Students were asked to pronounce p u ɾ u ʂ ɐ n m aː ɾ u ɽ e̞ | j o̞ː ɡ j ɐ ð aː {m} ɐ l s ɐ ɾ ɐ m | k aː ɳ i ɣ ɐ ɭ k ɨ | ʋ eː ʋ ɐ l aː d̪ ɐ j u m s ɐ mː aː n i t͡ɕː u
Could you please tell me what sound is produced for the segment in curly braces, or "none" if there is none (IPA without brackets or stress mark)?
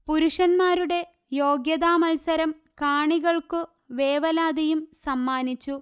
m